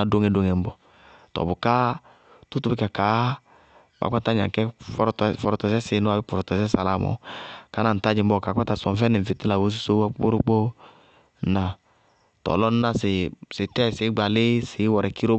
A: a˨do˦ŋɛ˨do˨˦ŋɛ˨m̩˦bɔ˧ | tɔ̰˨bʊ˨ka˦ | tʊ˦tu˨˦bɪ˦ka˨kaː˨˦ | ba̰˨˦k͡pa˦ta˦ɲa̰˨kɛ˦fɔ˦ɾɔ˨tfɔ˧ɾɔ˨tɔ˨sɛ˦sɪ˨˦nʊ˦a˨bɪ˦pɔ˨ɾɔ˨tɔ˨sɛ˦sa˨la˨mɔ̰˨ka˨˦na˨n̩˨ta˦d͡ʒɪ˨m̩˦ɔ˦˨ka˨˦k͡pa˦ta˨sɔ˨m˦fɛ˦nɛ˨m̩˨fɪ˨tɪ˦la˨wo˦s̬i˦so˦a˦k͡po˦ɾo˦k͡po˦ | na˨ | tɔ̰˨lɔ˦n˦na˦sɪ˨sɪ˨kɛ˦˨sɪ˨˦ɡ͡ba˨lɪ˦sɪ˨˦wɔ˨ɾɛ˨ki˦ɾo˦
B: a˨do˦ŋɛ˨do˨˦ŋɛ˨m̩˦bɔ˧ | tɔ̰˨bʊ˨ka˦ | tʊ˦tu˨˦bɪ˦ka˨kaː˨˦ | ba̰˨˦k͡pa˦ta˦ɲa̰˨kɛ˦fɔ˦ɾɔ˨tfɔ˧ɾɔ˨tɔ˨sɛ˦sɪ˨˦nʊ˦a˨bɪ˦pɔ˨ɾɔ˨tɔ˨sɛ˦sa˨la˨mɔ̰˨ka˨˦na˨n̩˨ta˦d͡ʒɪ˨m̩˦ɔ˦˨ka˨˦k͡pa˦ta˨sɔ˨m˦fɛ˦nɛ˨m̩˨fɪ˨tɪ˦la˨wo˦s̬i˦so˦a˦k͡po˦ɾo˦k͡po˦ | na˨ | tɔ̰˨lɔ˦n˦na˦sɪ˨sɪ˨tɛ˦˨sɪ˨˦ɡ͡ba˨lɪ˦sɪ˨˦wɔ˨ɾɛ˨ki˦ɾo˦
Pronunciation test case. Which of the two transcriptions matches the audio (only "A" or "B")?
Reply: B